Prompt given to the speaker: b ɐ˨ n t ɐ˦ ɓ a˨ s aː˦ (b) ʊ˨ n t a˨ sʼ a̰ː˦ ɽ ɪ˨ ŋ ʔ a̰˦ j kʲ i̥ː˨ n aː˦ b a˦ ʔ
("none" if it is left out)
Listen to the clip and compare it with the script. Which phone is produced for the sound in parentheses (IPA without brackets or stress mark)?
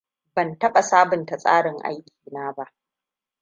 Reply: b